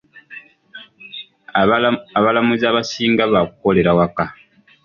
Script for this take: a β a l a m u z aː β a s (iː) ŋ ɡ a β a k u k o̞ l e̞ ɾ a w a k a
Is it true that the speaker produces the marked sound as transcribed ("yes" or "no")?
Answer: yes